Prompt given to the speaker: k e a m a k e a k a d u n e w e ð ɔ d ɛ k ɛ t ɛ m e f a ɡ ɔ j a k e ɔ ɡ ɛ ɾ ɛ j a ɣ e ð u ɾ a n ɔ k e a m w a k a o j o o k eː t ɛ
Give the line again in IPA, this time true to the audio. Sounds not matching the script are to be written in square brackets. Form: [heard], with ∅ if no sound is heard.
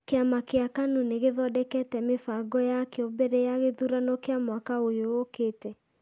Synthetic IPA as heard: k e a m a k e a k a [n] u n e [ɣ] e ð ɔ d ɛ k ɛ t ɛ m e f a ɡ ɔ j a k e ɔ [b] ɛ ɾ ɛ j a ɣ e ð u ɾ a n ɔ k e a m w a k a o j o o k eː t ɛ